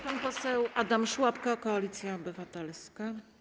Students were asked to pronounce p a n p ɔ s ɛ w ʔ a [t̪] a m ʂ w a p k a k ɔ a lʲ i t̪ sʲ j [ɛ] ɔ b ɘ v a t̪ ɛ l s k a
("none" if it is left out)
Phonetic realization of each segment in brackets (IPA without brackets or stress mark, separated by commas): d̪, a